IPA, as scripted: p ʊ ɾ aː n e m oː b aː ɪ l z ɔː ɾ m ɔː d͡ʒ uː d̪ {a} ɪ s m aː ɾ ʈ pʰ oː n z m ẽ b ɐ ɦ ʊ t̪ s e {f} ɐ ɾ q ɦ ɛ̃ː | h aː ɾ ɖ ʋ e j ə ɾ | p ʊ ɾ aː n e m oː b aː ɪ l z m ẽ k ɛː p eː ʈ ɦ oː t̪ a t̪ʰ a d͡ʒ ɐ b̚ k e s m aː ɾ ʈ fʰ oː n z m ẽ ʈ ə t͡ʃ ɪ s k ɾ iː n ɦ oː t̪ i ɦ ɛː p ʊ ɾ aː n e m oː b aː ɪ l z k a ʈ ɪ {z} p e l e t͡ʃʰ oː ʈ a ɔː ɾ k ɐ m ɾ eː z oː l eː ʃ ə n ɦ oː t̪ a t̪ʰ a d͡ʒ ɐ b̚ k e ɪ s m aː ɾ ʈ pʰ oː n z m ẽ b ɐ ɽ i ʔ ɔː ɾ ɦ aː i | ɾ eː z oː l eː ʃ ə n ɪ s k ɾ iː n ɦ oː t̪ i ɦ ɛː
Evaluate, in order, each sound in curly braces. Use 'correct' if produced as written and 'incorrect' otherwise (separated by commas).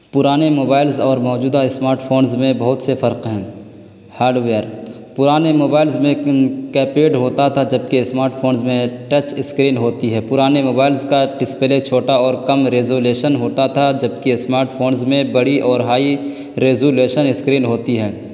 correct, correct, incorrect